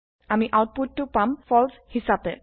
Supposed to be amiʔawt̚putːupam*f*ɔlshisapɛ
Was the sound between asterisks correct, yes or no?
yes